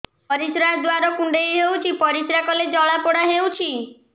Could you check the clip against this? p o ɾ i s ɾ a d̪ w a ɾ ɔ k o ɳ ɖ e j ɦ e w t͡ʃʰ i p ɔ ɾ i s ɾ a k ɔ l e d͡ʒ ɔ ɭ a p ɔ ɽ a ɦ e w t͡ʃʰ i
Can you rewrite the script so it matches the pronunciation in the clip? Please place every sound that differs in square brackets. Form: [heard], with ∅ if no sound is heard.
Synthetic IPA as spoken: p [ɔ] ɾ i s ɾ a d̪ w a ɾ ɔ k [u] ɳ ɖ e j ɦ e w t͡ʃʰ i p ɔ ɾ i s ɾ a k ɔ l e d͡ʒ ɔ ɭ a p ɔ ɽ a ɦ e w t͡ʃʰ i